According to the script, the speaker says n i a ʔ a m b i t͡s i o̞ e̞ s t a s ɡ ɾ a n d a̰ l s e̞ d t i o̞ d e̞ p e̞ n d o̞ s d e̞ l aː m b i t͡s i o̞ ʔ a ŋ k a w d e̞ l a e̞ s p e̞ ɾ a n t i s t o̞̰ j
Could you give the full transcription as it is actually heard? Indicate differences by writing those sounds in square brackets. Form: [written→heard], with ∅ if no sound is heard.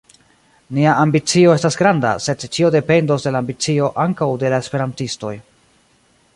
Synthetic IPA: n i a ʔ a m b i t͡s i o̞ e̞ s t a s ɡ ɾ a n d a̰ [l→∅] s e̞ d [t→t͡ʃ] i o̞ d e̞ p e̞ n d o̞ s d e̞ l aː m b i t͡s i o̞ ʔ a ŋ k a w d e̞ l a e̞ s p e̞ ɾ a n t i s t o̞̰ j